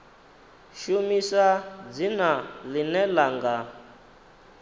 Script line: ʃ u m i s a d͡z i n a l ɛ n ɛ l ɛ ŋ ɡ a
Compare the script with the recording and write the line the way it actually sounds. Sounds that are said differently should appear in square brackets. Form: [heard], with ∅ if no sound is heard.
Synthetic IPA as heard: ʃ u m i s a d͡z i n a l [i] n ɛ l [a] ŋ ɡ a